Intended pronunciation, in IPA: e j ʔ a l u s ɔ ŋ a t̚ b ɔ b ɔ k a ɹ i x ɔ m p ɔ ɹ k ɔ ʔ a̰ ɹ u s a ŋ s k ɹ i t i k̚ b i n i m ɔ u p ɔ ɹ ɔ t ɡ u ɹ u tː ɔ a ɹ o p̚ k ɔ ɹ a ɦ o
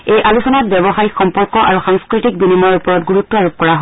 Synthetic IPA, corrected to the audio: e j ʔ a l u s ɔ n a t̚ b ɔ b ɔ x a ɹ i x ɔ m p ɔ ɹ k ɔ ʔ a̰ ɹ u x a ŋ s k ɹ i t i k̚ b i n i m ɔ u p ɔ ɹ ɔ t ɡ u ɹ u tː ɔ a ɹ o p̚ k ɔ ɹ a ɦ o